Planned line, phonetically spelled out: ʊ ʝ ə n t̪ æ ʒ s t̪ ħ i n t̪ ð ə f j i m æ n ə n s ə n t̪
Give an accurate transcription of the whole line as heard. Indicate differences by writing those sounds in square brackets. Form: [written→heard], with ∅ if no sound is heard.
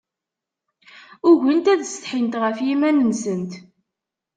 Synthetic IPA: ʊ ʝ ə n t̪ æ [ʒ→ð] s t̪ ħ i n t̪ [ð→ʁ] ə f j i m æ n ə n s ə n t̪